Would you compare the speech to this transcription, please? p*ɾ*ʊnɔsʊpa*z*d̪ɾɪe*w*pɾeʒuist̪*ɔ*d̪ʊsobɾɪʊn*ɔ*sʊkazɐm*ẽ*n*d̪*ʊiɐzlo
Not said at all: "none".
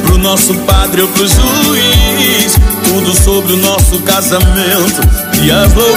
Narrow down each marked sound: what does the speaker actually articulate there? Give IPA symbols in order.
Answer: ɾ, none, w, u, ɔ, ẽ, t̪

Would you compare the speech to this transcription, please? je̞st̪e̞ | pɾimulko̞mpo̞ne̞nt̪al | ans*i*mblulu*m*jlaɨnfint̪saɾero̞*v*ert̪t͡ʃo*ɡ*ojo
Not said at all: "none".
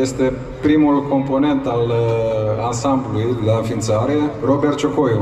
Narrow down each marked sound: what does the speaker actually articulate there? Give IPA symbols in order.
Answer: a, none, b, k

